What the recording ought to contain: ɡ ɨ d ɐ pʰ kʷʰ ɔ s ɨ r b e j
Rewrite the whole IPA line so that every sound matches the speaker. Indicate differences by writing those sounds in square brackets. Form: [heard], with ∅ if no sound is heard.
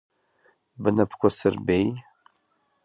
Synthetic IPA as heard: [b] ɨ [n] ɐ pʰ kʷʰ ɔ s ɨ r b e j